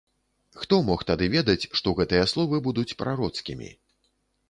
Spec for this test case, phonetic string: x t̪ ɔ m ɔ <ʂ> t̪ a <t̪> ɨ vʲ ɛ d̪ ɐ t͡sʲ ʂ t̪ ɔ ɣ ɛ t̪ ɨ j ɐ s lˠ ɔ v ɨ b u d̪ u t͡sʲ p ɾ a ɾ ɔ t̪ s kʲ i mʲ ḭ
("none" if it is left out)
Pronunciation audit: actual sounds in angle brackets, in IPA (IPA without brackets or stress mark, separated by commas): x, d̪